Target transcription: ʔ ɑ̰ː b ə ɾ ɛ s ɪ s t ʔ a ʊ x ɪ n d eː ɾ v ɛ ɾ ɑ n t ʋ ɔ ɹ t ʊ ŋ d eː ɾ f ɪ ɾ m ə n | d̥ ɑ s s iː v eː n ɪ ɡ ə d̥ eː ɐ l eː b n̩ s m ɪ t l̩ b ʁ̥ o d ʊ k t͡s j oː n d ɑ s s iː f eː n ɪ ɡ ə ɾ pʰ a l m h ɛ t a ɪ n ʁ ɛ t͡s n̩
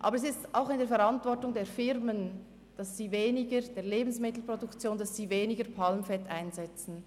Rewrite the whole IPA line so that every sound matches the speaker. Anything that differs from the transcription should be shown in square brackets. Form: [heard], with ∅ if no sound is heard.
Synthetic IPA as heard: ʔ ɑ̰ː b ə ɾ ɛ s ɪ s t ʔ a ʊ x ɪ n d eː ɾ [f] ɛ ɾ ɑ n t [v] ɔ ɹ t ʊ ŋ d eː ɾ f ɪ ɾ m ə n | d̥ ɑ s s iː v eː n ɪ ɡ ə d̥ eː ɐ l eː b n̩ s m ɪ t l̩ [p] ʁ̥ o d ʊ k t͡s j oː n d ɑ s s iː [v] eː n ɪ ɡ ə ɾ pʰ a l m [f] ɛ t a ɪ n [z] ɛ t͡s n̩